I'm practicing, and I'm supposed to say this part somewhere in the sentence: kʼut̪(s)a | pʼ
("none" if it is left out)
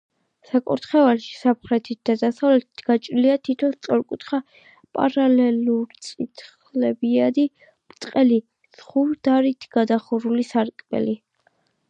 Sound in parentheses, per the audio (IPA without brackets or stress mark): χ